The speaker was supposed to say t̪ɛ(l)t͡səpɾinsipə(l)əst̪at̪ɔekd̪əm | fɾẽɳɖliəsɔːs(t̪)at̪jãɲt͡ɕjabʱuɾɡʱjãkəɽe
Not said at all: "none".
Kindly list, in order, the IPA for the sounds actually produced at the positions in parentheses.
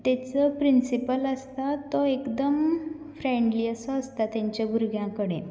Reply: none, l, t̪

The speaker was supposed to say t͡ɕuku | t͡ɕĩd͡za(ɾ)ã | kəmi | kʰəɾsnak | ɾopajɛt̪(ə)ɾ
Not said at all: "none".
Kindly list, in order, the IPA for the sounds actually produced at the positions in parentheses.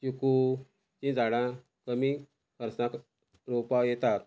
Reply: ɽ, a

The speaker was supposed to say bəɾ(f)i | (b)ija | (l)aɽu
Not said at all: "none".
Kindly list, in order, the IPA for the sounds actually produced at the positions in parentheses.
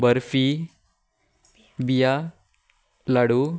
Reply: f, b, l

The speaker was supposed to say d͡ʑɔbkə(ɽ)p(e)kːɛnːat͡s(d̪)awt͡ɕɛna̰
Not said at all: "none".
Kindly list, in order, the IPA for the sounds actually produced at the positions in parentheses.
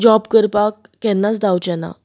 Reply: ɾ, a, d̪

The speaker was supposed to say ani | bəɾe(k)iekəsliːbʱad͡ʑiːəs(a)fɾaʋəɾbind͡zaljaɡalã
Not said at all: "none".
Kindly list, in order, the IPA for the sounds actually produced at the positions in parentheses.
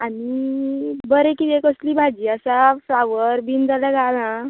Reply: k, a

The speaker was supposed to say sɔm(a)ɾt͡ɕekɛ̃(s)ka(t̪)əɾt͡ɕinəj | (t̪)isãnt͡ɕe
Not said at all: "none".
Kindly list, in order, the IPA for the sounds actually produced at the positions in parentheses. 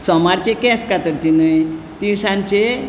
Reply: a, s, t̪, t̪

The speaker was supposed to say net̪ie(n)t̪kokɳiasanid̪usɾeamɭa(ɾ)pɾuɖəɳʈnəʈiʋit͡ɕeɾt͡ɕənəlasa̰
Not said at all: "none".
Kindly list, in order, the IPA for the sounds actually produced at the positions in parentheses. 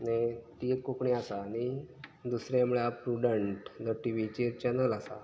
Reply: none, none

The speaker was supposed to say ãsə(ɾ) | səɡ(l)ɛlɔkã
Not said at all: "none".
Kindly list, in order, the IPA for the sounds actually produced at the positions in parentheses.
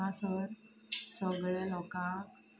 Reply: ɾ, ɭ

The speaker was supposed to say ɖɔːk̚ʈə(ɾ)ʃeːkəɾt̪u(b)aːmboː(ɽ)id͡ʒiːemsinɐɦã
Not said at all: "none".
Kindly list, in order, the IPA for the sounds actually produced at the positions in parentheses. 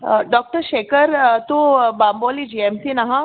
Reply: ɾ, b, l

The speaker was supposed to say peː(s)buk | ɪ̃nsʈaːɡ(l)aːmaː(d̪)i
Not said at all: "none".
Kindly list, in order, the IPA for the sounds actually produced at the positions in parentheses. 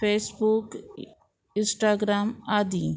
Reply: s, ɾ, d̪

